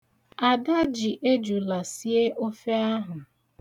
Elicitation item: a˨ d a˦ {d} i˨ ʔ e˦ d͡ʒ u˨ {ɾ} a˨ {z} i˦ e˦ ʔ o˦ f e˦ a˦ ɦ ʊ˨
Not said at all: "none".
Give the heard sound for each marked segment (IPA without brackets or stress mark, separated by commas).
d͡ʒ, l, s